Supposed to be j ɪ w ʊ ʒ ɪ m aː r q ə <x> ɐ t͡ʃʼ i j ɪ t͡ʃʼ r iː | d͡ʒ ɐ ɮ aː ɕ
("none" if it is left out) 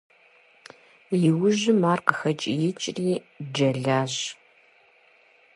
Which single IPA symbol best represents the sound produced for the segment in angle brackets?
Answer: x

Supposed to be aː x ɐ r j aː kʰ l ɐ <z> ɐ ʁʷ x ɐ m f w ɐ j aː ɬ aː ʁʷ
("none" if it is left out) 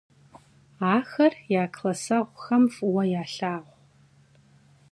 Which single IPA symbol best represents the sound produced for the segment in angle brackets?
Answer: s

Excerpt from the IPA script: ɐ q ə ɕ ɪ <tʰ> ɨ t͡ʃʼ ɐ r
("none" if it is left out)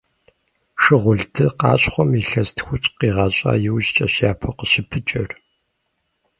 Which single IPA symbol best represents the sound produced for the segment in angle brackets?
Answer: pʰ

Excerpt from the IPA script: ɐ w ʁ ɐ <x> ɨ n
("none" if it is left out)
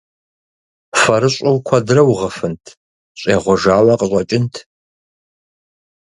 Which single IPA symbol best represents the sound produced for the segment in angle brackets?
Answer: f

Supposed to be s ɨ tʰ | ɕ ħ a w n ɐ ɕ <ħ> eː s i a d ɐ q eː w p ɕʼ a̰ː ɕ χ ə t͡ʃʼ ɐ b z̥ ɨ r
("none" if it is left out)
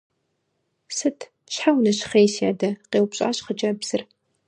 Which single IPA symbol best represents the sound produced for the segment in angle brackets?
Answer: χ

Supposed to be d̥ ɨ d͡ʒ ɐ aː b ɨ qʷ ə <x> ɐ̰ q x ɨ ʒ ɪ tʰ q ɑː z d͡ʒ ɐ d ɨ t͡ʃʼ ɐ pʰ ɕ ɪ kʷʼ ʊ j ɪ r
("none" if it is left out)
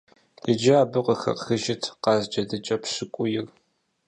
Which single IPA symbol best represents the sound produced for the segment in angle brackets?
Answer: x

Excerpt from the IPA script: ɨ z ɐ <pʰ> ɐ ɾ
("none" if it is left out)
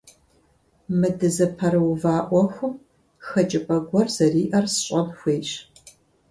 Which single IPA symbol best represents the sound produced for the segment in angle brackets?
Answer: pʰ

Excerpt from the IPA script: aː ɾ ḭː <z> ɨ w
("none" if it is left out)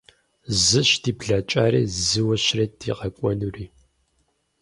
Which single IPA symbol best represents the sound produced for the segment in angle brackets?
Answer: z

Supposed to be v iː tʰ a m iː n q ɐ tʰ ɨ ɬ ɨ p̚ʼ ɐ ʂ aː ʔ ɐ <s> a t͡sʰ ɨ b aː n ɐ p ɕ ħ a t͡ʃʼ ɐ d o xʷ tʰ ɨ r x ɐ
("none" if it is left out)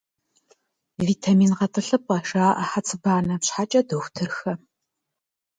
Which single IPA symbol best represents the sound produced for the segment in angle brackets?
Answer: ħ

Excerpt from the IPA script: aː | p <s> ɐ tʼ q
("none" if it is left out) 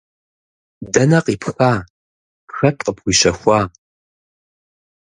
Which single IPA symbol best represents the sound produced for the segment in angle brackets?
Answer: x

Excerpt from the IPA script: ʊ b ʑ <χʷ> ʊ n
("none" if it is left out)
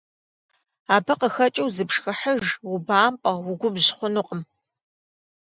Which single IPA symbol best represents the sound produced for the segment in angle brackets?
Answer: χʷ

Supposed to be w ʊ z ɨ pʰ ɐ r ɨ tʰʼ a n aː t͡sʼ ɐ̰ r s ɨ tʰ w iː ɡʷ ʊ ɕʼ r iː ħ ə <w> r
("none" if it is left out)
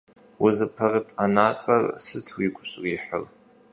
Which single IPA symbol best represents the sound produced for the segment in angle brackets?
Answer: none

